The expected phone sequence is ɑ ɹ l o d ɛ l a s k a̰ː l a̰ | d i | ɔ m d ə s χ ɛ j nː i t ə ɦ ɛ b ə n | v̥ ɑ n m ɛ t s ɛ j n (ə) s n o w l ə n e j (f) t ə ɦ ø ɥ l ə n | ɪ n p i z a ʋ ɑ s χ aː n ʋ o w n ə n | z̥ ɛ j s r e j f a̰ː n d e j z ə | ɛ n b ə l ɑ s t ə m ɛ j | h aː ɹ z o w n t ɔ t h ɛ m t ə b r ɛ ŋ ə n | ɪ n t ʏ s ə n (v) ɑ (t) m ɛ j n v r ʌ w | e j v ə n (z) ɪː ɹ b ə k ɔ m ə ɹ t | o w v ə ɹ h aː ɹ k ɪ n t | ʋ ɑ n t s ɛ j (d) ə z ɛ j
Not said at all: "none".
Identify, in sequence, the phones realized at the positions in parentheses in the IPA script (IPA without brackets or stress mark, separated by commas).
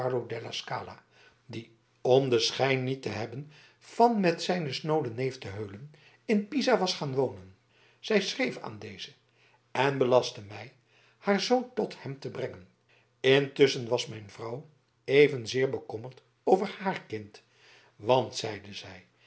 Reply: ə, f, ʋ, s, z, d